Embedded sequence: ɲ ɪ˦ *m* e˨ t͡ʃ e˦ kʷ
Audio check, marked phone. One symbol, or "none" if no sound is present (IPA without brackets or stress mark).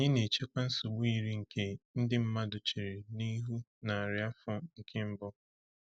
n